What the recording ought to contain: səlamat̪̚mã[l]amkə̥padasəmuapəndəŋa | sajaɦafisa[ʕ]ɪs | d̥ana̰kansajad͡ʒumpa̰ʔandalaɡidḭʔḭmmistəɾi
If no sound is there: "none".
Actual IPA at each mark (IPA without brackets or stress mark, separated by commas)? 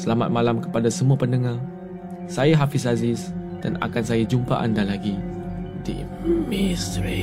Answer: l, z